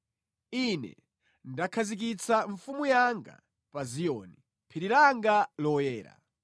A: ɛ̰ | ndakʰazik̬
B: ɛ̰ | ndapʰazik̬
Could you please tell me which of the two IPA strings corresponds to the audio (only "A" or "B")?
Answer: A